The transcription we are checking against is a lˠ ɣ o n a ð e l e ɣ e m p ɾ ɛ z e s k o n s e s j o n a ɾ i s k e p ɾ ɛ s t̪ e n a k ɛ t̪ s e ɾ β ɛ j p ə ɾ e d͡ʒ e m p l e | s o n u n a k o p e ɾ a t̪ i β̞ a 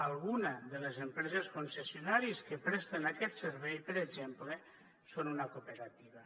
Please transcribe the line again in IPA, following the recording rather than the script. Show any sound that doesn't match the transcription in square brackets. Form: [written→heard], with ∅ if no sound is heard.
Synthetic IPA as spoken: a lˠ ɣ [o→u] n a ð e l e [ɣ→z] e m p ɾ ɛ z e s k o n s e s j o n a ɾ i s k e p ɾ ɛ s t̪ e n a k ɛ t̪ s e ɾ β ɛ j p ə ɾ e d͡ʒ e m p l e | s o n u n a k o p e ɾ a t̪ i β̞ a